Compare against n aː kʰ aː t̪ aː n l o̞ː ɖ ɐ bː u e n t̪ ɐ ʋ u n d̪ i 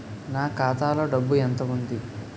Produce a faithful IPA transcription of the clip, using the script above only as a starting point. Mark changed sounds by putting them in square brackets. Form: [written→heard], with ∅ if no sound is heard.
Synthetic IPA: n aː [kʰ→k] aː t̪ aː [n→∅] l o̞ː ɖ ɐ bː u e n t̪ ɐ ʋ u n d̪ i